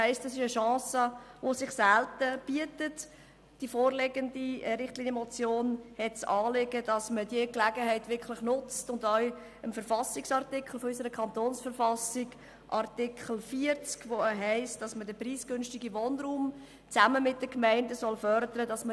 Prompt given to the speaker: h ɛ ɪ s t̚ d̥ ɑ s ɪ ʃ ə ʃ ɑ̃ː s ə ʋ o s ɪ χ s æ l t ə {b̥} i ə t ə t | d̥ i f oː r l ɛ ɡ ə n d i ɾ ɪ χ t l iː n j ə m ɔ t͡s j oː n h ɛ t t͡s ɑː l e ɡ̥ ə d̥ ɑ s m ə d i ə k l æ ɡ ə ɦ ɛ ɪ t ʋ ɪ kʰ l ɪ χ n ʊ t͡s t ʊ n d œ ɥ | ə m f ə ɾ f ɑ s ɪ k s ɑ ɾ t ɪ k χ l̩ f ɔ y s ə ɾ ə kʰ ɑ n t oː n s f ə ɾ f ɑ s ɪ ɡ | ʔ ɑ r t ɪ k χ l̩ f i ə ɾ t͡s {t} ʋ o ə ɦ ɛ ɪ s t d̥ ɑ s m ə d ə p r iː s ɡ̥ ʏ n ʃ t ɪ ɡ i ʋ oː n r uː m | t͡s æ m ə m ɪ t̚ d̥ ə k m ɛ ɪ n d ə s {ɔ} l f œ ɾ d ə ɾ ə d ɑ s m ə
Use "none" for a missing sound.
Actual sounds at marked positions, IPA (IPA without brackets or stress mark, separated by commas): b̥, k, ɔ